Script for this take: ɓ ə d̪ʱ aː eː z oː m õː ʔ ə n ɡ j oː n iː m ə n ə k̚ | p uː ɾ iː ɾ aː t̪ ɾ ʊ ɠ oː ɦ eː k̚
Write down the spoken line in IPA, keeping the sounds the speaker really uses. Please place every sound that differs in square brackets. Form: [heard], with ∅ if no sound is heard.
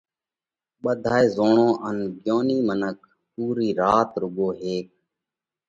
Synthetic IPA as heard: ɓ ə d̪ʱ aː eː z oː [ɳ] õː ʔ ə n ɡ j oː n iː m ə n ə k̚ | p uː ɾ iː ɾ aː t̪ ɾ ʊ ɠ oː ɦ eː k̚